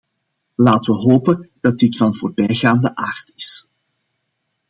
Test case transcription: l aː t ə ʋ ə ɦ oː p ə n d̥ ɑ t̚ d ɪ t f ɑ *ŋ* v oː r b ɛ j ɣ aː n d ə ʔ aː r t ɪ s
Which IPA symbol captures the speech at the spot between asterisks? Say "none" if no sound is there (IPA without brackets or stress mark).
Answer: n